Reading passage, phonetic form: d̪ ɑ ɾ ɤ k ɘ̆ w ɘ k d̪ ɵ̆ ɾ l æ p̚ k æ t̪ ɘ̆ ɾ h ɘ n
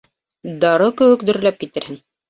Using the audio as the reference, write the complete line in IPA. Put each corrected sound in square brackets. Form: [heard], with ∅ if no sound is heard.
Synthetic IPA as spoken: d̪ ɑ ɾ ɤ k ɘ̆ w ɘ k d̪ ɵ̆ ɾ l æ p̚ k [i] t̪ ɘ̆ ɾ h ɘ [ŋ]